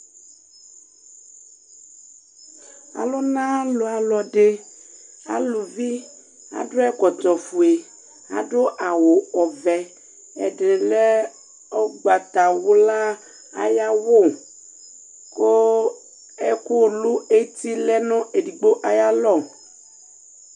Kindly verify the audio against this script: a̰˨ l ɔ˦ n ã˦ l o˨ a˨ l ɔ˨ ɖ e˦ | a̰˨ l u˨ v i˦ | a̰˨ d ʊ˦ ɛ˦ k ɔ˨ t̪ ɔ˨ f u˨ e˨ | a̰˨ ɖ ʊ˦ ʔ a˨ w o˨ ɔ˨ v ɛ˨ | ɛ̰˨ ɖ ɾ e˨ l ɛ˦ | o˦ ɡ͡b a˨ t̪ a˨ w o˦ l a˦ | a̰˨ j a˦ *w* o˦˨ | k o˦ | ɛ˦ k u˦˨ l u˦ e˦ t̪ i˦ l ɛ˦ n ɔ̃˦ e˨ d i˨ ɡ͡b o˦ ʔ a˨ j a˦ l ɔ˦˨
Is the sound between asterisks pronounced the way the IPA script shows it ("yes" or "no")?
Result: yes